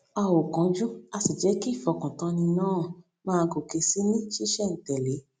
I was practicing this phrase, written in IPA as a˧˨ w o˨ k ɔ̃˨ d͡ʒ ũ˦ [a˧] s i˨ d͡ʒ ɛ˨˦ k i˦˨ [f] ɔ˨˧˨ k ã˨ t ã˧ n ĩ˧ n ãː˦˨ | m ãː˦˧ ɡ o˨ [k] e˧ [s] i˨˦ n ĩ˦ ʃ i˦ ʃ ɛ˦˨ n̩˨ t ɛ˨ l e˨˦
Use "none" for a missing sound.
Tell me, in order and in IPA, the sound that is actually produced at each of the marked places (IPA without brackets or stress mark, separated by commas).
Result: a˧, f, k, s